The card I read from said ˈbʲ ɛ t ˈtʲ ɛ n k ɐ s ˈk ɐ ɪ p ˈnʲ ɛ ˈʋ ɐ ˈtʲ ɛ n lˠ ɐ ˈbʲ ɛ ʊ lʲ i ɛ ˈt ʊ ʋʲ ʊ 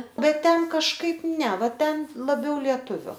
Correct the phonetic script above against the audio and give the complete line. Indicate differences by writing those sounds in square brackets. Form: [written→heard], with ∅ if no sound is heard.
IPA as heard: ˈbʲ ɛ t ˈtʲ ɛ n k ɐ [s→ʃ] ˈk ɐ ɪ p ˈnʲ ɛ ˈʋ ɐ ˈtʲ ɛ n lˠ ɐ ˈbʲ ɛ ʊ lʲ i ɛ ˈt ʊ ʋʲ ʊ